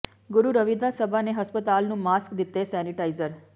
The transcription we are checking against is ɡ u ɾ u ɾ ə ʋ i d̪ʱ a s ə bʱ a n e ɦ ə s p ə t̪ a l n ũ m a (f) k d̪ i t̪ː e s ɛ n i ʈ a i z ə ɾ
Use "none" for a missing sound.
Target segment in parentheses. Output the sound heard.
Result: s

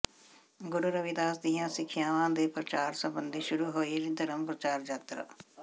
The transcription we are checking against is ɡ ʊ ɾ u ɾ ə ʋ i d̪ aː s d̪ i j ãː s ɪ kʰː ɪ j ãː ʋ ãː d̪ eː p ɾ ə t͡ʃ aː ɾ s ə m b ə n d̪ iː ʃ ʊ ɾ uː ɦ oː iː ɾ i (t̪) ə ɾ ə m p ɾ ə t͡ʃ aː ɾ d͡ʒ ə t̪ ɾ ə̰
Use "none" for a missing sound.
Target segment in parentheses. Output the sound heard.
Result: d̪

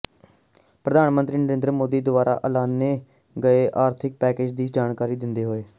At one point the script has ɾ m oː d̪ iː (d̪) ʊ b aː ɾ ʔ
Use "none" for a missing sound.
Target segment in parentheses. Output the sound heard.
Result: d̪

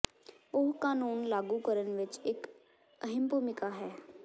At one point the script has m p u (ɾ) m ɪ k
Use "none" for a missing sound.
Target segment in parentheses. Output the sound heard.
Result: none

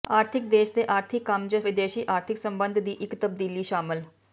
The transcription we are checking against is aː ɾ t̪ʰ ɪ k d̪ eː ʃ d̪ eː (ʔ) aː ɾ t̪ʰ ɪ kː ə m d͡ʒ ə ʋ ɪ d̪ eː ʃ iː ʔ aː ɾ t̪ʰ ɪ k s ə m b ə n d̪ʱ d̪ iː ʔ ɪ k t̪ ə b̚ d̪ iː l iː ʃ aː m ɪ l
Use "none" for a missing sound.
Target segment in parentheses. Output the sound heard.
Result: ʔ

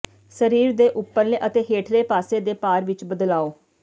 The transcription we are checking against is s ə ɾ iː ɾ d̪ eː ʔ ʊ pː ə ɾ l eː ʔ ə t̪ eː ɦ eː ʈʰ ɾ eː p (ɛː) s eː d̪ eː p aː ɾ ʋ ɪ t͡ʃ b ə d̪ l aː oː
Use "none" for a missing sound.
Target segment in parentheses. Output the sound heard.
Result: aː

